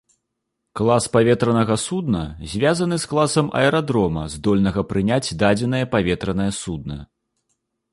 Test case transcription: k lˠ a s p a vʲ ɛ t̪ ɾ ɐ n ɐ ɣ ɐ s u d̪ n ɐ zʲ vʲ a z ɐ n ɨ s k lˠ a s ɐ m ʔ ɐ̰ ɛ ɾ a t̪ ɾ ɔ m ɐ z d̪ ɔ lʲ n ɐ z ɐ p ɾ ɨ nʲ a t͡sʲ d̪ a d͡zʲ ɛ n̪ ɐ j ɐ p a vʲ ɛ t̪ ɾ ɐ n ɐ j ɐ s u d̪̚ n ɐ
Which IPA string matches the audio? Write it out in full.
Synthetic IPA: k lˠ a s p a vʲ ɛ t̪ ɾ ɐ n ɐ ɣ ɐ s u d̪ n ɐ zʲ vʲ a z ɐ n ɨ s k lˠ a s ɐ m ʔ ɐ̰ ɛ ɾ a d̪ ɾ ɔ m ɐ z d̪ ɔ lʲ n ɐ ɣ ɐ p ɾ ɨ nʲ a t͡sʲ d̪ a d͡zʲ ɛ n̪ ɐ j ɐ p a vʲ ɛ t̪ ɾ ɐ n ɐ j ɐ s u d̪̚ n ɐ